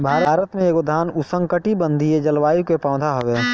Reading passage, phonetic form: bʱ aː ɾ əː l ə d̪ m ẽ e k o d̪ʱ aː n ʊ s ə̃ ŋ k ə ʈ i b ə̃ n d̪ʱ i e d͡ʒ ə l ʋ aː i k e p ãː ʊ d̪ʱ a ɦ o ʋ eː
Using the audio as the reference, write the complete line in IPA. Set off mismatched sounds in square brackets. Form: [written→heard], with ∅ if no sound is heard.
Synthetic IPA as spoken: bʱ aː ɾ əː [l→ɾ] ə [d̪→t̪] m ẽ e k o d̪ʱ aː n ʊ s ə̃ ŋ k ə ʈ i b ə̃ n d̪ʱ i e d͡ʒ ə l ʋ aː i k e p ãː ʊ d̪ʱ a ɦ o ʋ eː